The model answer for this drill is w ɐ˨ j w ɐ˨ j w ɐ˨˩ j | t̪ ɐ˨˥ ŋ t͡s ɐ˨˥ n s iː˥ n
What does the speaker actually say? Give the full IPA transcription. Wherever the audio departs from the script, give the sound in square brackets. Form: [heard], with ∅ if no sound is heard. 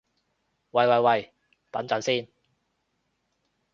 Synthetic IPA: w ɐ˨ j w ɐ˨ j w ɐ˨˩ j | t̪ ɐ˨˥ [n] t͡s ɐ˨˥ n s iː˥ n